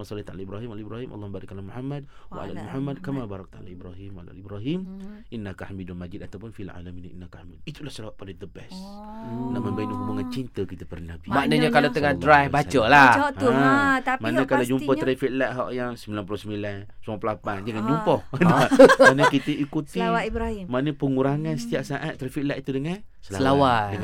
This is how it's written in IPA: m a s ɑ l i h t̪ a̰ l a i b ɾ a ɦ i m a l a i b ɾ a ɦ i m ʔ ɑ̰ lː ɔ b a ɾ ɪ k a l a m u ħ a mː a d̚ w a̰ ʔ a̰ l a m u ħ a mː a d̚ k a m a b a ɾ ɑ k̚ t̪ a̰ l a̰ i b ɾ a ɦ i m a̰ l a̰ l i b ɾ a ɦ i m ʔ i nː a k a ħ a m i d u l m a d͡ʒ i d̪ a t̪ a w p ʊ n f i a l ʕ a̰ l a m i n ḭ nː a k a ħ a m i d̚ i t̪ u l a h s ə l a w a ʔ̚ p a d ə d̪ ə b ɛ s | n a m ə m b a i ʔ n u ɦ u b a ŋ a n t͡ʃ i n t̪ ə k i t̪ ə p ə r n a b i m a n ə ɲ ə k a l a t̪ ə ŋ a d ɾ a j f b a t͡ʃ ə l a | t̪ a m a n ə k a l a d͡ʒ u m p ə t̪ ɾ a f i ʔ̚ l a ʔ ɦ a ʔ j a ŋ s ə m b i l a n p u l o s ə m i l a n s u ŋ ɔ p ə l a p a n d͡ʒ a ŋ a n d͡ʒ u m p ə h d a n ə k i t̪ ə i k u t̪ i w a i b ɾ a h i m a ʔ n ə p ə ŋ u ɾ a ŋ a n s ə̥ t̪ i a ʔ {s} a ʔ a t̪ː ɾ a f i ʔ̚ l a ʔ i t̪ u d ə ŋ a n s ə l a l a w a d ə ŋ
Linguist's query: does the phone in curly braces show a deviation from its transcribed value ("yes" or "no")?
no